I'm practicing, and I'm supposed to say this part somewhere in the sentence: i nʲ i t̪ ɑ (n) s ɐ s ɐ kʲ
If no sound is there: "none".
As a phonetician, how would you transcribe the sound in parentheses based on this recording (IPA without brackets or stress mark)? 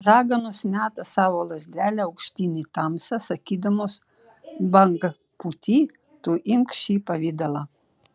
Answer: m